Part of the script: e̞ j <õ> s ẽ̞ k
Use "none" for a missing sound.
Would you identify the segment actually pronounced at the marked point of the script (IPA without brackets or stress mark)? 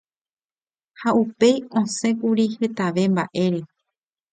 õ